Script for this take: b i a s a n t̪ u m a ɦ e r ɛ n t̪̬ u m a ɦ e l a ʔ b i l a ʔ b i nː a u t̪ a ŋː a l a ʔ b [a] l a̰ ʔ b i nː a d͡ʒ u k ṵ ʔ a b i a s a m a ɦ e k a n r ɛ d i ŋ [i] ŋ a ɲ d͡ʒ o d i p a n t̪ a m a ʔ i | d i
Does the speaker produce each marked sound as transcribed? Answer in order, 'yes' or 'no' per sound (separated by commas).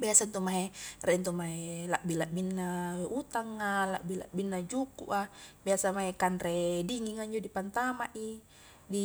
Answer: no, yes